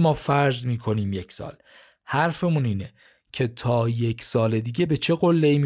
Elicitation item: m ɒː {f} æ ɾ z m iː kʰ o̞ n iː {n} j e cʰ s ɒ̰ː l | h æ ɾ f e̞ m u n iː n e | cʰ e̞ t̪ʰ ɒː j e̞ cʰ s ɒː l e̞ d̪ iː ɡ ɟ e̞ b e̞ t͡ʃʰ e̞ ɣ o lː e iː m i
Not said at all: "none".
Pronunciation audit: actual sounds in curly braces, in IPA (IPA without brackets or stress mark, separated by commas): f, m